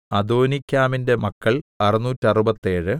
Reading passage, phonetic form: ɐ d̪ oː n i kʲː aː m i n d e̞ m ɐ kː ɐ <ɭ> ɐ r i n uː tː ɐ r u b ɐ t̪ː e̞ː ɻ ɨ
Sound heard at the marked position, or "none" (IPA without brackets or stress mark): ɭ